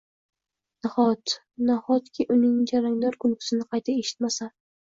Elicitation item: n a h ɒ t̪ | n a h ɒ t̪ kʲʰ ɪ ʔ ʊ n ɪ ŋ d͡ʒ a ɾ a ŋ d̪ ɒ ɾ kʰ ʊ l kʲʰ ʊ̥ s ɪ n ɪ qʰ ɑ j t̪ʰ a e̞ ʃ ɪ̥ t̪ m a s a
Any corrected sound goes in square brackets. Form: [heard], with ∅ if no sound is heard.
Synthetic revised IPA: n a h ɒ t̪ | n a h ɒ t̪ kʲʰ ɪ ʔ ʊ n ɪ ŋ d͡ʒ a ɾ a ŋ d̪ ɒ ɾ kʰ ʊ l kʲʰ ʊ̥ s ɪ n ɪ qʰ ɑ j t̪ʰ a e̞ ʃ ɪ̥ t̪ m a s a